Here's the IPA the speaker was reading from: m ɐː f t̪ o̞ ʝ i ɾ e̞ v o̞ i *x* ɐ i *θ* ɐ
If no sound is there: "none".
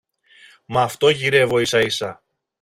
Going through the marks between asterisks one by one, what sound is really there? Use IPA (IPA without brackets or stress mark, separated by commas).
s, s